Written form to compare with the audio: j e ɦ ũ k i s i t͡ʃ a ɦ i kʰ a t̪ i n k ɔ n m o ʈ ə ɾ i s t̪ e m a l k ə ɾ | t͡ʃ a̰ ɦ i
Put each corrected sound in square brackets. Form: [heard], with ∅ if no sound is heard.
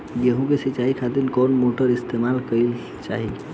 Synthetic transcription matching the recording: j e ɦ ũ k [e] s i t͡ʃ a ɦ i kʰ a t̪ i n k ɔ n m o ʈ ə ɾ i s t̪ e m a l k ə [l] | t͡ʃ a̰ ɦ i